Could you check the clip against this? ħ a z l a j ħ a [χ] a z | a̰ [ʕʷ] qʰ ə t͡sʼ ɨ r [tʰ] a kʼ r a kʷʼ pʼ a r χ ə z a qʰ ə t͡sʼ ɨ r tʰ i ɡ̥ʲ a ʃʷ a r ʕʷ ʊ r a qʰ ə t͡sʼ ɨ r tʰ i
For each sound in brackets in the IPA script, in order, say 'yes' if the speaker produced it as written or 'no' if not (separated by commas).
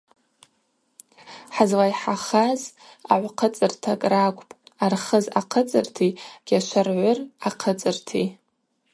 yes, yes, yes